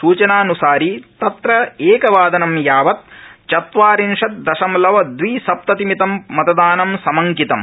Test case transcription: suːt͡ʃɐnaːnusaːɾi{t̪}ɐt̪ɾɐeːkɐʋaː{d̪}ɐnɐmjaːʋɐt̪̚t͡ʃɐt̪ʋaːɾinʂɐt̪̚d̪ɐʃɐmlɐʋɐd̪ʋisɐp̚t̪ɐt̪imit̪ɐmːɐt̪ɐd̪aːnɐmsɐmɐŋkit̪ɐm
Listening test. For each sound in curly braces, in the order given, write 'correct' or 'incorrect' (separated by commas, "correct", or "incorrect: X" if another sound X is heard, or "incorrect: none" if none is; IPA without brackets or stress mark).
correct, correct